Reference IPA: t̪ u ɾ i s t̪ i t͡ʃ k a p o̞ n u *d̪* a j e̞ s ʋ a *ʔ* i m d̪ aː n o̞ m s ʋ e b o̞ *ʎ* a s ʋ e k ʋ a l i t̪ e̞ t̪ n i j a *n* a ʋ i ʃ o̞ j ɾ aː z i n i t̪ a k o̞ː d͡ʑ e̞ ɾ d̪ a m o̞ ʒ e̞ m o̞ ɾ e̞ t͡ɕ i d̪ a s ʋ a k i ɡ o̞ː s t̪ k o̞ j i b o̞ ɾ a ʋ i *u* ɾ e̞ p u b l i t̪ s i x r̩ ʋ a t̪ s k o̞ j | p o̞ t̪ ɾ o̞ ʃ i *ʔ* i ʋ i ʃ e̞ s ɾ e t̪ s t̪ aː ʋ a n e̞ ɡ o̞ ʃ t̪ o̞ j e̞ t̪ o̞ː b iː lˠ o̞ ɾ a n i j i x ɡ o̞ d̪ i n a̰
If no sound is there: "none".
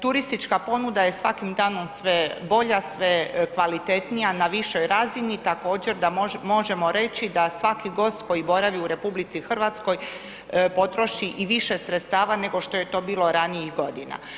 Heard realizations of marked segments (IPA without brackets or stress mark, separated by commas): d̪, k, ʎ, n, u, ʔ